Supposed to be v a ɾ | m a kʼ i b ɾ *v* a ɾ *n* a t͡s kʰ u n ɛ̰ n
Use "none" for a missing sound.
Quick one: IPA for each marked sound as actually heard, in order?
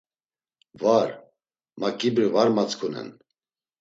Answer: v, m

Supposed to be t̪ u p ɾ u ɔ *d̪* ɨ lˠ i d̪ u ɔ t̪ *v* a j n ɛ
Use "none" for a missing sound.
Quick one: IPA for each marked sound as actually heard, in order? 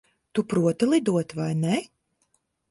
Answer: t̪, v

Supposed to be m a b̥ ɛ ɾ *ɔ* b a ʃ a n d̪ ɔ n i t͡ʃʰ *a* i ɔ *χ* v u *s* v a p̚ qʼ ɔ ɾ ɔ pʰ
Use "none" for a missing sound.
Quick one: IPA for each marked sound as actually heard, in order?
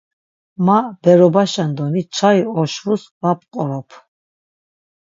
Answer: ɔ, a, ʃ, s

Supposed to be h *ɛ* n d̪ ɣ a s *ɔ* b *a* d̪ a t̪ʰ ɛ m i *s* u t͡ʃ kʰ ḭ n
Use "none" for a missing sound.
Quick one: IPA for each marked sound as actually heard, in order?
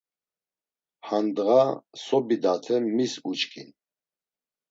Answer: a, ɔ, i, s

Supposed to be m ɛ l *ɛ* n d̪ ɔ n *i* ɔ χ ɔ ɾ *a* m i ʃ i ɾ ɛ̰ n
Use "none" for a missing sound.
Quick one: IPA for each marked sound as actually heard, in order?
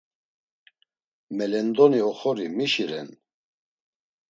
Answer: ɛ, i, i

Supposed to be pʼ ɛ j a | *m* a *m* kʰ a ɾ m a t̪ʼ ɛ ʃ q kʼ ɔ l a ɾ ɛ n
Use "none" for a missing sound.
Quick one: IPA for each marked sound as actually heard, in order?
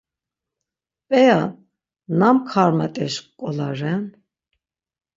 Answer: n, m

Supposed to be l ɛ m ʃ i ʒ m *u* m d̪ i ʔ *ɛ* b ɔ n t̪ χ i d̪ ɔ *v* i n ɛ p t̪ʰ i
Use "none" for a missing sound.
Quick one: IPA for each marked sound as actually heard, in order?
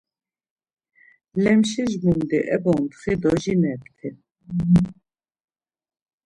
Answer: u, ɛ, ʒ

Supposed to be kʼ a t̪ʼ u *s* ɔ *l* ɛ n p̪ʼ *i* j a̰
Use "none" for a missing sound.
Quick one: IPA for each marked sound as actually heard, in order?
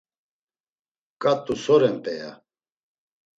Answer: s, ɾ, ɛ

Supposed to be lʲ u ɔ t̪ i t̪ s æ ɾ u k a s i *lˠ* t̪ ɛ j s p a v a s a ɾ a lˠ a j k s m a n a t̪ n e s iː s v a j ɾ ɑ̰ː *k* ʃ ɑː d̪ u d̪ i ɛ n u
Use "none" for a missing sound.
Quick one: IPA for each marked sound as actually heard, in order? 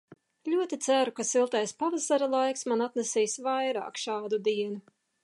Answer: lˠ, k

